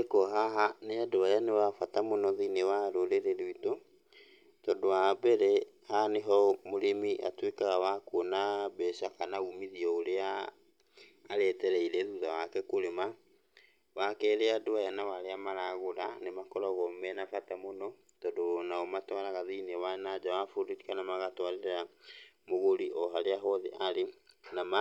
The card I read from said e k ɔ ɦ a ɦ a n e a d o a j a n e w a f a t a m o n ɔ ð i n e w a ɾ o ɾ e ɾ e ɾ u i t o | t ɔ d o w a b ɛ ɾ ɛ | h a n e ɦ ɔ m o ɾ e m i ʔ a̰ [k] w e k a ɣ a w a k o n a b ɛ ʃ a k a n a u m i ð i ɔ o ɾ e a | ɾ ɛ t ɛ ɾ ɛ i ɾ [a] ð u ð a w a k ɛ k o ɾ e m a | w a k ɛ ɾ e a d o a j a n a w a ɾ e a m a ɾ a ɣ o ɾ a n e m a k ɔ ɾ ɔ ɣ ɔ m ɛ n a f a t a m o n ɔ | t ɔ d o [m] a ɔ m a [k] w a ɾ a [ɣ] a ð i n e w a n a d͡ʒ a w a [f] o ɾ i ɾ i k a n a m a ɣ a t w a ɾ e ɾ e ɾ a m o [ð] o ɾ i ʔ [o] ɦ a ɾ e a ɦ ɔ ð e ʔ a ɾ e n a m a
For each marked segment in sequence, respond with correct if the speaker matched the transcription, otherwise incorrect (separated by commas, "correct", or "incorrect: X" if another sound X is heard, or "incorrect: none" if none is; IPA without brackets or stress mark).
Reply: incorrect: t, incorrect: ɛ, incorrect: n, incorrect: t, correct, correct, incorrect: ɣ, incorrect: ɔ